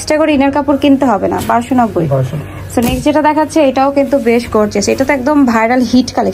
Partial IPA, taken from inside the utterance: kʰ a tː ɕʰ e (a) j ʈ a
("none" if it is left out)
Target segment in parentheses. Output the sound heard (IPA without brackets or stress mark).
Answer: e